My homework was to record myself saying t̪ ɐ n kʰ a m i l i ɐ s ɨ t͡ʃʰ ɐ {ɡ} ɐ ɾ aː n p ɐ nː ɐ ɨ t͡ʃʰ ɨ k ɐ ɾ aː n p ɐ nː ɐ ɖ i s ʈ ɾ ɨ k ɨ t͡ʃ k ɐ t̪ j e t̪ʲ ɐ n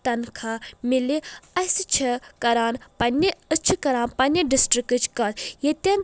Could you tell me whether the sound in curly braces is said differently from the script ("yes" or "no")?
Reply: yes